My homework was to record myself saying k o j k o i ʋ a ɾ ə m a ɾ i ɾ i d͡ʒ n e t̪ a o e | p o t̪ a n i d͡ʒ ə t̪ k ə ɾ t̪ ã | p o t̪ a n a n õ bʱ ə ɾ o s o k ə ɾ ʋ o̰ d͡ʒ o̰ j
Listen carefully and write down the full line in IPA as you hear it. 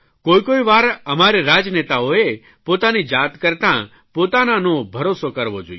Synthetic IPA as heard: k o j k o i ʋ a ɾ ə m a ɾ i ɾ a d͡ʒ n e t̪ a o e | p o t̪ a n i d͡ʒ a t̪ k ə ɾ t̪ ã | p o t̪ a n a n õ bʱ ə ɾ o s o k ə ɾ ʋ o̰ d͡ʒ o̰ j

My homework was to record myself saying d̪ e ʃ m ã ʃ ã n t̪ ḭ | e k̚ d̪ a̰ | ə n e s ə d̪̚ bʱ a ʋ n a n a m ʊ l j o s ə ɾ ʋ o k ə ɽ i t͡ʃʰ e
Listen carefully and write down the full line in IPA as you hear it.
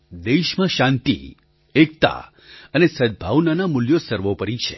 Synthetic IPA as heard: d̪ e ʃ m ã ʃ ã n t̪ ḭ | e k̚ t̪ a̰ | ə n e s ə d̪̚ bʱ a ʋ n a n a m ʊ l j o s ə ɾ ʋ o p ə ɾ i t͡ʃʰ e

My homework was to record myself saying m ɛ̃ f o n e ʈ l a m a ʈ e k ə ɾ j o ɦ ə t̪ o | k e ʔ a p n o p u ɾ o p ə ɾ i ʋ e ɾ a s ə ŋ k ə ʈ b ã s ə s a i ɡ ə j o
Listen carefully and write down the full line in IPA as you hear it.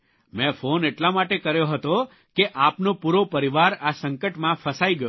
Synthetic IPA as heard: m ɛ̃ f o n e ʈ l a m a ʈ e k ə ɾ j o ɦ ə t̪ o | k e ʔ a p n o p u ɾ o p ə ɾ i ʋ a ɾ a s ə ŋ k ə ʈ m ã f ə s a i ɡ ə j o

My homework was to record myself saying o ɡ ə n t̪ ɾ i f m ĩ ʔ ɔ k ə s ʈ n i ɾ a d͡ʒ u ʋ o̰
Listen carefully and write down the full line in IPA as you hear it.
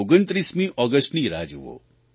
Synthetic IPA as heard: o ɡ ə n t̪ ɾ i s m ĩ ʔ ɔ ɡ ə s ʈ n i ɾ a d͡ʒ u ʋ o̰

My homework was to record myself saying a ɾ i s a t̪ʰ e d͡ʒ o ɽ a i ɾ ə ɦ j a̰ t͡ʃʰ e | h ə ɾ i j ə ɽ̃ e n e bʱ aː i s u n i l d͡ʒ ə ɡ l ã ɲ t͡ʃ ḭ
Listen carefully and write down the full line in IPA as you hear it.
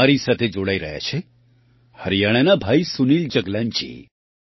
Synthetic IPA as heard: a ɾ i s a t̪ʰ e d͡ʒ o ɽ a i ɾ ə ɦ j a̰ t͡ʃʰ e | h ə ɾ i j a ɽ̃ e n a bʱ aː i s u n i l d͡ʒ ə ɡ l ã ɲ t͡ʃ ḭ

